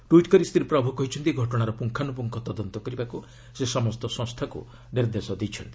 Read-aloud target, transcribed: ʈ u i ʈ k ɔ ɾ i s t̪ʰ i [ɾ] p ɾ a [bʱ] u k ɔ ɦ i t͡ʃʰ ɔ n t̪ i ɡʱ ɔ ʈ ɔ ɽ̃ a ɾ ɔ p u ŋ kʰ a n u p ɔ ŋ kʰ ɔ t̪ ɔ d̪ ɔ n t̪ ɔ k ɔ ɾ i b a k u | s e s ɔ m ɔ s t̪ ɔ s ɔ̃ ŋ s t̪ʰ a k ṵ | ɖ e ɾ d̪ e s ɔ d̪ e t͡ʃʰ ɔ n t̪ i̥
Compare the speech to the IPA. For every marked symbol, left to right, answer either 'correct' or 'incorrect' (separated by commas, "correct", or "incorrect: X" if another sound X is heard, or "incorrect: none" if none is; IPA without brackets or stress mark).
correct, correct